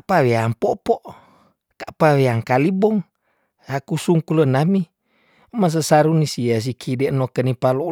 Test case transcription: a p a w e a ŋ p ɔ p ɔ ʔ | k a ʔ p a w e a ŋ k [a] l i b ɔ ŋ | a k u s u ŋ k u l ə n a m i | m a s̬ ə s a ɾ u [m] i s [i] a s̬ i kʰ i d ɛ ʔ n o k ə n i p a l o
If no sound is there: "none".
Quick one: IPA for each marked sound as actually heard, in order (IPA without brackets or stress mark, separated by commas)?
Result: a, n, i